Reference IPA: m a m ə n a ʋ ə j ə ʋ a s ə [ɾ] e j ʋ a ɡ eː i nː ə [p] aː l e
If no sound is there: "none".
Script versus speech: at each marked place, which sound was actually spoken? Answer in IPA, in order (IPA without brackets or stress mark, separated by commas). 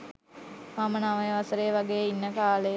ɾ, k